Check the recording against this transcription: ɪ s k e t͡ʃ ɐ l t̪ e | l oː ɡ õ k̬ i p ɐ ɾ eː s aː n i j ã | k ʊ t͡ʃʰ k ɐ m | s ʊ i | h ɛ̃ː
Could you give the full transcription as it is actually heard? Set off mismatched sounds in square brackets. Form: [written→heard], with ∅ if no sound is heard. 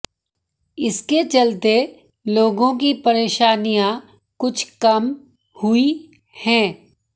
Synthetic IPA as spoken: ɪ s k e t͡ʃ ɐ l t̪ e | l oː ɡ õ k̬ i p ɐ ɾ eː [s→ʃ] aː n i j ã | k ʊ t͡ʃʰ k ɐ m | [s→h] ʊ i | h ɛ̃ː